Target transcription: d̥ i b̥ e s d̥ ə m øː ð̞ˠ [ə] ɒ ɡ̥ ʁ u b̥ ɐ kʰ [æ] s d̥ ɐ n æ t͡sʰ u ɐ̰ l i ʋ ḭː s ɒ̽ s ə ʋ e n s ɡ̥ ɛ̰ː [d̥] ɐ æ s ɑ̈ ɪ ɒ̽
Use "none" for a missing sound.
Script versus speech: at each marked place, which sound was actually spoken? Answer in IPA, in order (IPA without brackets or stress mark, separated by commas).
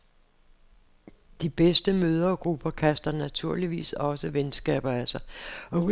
ɐ, æ, b̥